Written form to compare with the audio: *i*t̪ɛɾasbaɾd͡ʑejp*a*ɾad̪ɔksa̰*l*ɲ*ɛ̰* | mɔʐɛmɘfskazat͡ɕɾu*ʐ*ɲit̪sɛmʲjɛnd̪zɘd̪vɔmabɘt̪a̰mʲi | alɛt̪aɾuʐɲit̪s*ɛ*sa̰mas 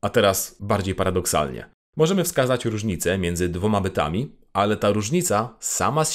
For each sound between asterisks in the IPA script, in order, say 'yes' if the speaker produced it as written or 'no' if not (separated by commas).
no, yes, yes, yes, yes, no